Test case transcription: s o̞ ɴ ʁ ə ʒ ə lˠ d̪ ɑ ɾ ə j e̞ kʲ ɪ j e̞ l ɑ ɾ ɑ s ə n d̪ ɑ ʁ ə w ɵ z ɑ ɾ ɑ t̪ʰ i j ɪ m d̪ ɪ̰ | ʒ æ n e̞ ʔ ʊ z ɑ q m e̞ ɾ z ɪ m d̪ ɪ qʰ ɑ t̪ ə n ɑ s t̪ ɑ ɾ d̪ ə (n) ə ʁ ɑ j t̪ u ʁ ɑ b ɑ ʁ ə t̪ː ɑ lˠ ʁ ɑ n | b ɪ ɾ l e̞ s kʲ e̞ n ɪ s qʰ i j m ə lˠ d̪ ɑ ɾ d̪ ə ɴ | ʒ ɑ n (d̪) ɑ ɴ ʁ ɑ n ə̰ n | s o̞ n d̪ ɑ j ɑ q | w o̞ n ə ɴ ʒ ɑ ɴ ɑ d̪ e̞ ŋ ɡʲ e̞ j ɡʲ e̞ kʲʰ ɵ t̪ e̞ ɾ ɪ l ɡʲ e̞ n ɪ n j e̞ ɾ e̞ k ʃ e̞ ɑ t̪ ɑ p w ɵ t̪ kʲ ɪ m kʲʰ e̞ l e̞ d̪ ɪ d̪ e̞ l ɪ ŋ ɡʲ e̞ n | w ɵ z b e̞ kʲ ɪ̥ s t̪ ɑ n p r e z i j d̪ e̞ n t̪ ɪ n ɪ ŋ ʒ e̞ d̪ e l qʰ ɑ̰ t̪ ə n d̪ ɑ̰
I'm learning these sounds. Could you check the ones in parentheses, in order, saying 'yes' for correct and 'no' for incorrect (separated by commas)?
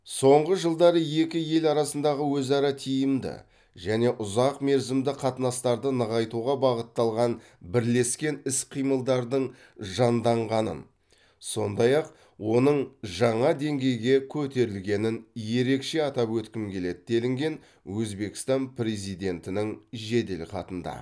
yes, yes